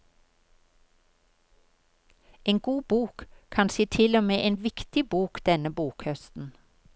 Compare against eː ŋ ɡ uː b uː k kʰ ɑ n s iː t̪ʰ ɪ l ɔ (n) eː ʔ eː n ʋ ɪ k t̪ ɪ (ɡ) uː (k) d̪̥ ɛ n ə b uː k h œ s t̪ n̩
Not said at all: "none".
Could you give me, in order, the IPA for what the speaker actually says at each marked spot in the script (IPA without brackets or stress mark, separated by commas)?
m, b, k